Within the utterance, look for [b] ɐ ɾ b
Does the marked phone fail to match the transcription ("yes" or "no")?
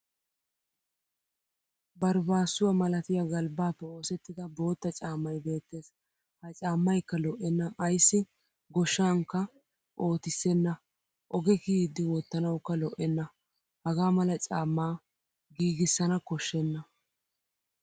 no